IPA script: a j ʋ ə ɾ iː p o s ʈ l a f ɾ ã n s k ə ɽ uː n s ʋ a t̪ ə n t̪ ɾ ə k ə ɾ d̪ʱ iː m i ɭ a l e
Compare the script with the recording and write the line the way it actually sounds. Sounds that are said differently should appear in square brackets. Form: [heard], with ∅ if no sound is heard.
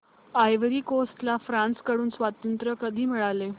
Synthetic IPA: a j ʋ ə ɾ iː [k] o s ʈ l a f ɾ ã n s k ə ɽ uː n s ʋ a t̪ ə n t̪ ɾ ə k ə [∅] d̪ʱ iː m i ɭ a l e